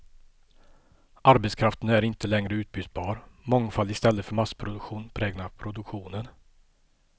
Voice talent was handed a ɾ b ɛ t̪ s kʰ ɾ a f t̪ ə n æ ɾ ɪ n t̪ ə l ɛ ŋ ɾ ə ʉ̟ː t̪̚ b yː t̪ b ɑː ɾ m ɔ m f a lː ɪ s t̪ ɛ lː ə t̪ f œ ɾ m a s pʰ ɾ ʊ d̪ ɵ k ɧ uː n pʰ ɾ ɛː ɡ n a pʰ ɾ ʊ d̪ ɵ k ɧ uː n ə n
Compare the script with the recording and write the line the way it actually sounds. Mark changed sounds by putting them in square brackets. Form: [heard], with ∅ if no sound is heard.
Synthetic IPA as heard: a ɾ b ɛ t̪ s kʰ ɾ a f t̪ ə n æ ɾ ɪ n t̪ ə l ɛ ŋ ɾ ə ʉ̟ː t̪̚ b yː t̪ b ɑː ɾ m ɔ [ŋ] f a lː ɪ s t̪ ɛ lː ə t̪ f œ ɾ m a s pʰ ɾ ʊ d̪ ɵ k ɧ uː n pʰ ɾ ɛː ɡ n a pʰ ɾ ʊ d̪ ɵ k ɧ uː n ə n